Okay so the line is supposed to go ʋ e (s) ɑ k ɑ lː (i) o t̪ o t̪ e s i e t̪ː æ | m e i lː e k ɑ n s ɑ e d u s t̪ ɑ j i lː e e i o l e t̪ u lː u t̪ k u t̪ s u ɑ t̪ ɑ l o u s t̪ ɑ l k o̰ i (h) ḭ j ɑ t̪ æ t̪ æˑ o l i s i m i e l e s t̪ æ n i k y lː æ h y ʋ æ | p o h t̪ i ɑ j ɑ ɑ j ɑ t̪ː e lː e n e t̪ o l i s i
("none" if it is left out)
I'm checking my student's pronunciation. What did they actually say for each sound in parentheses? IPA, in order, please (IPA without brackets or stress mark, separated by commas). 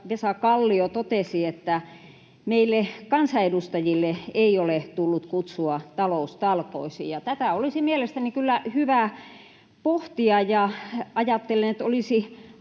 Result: s, i, s